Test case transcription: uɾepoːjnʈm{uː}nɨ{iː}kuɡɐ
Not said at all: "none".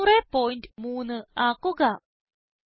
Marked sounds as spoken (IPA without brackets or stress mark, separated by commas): uː, aː